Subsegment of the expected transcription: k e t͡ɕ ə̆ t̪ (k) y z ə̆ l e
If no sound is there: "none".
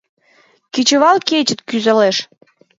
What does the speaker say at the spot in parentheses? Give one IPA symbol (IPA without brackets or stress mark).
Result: k